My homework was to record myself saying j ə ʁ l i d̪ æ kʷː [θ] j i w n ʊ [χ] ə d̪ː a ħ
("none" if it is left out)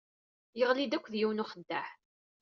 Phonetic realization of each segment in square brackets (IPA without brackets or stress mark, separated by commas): ð, χ